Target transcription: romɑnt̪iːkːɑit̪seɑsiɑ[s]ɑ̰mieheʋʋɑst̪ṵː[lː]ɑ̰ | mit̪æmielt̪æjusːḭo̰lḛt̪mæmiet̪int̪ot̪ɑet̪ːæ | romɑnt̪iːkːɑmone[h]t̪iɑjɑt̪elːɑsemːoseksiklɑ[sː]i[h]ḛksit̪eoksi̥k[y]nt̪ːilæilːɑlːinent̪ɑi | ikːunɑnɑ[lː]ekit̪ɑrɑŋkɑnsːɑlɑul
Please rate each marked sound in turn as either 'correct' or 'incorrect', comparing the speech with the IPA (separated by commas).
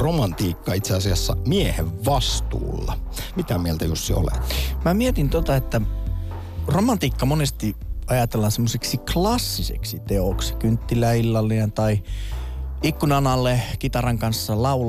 incorrect, correct, incorrect, correct, incorrect, correct, correct